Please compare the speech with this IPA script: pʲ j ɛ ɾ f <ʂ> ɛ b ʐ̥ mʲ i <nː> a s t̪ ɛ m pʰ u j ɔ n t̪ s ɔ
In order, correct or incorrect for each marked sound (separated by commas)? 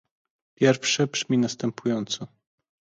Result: correct, incorrect